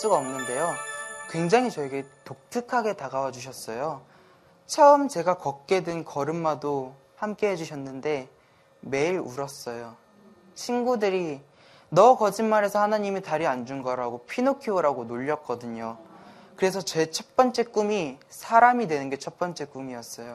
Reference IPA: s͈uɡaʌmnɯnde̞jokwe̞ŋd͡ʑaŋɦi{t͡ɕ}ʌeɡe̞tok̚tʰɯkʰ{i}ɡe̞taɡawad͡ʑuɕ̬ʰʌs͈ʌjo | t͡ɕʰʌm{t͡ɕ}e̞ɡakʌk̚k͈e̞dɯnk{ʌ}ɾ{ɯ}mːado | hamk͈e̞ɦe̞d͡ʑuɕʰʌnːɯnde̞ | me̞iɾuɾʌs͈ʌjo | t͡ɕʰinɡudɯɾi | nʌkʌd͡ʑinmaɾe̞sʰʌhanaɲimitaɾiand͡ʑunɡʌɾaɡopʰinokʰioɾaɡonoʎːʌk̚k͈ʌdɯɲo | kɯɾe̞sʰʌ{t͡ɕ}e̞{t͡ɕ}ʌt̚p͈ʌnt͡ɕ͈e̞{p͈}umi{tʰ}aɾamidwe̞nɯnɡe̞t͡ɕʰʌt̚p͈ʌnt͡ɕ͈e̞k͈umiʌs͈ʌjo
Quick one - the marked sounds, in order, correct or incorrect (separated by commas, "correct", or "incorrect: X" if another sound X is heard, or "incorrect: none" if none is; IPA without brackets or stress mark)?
correct, incorrect: a, correct, correct, correct, correct, incorrect: t͡ɕʰ, incorrect: k͈, incorrect: sʰ